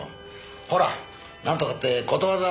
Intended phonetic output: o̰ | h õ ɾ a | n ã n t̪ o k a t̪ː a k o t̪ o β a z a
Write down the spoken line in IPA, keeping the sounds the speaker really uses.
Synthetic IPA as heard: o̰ | h o ɾ a | n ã n t̪ o k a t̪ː e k o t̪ o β a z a